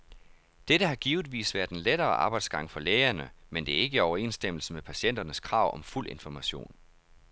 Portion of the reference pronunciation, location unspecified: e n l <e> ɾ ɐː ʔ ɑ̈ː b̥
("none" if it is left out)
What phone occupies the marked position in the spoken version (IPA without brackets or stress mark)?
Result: e